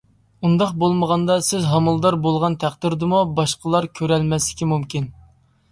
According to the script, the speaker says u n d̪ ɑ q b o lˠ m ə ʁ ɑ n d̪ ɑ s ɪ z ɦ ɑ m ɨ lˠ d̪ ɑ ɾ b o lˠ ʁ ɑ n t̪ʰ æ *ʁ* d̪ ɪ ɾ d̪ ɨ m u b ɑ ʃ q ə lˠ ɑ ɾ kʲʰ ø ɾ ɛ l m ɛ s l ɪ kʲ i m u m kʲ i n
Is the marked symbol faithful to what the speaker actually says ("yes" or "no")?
no